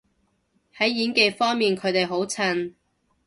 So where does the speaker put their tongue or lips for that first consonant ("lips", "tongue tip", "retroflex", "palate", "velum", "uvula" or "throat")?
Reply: throat